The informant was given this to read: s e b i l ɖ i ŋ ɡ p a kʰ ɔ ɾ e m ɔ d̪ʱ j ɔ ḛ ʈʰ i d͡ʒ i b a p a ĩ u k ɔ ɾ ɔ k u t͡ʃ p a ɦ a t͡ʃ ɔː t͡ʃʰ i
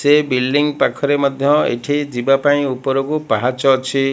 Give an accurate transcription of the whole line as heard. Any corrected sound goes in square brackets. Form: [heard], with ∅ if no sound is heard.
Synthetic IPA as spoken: s e b i l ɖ i ŋ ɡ p a kʰ ɔ ɾ e m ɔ d̪ʱ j ɔ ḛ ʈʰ i d͡ʒ i b a p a ĩ u [p] ɔ ɾ ɔ k u [∅] p a ɦ a t͡ʃ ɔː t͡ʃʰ i